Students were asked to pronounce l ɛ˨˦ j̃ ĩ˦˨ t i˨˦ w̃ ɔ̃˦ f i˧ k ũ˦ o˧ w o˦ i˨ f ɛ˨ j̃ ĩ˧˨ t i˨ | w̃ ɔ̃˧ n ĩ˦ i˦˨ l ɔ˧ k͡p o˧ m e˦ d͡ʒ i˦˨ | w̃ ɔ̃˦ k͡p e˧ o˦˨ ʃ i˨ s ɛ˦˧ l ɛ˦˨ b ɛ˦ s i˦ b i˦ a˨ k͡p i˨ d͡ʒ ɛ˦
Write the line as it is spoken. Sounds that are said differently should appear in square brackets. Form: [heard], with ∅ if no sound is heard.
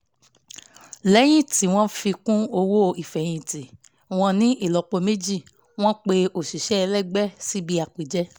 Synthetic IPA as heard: l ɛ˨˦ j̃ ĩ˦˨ t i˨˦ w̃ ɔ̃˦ f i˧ k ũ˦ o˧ w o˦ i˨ f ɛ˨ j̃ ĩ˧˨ t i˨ | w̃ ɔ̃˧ n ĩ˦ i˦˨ l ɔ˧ k͡p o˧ m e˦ d͡ʒ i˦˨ | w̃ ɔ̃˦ k͡p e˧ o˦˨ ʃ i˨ [ʃ] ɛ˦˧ l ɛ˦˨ [ɡ͡b] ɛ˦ s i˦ b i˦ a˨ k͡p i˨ d͡ʒ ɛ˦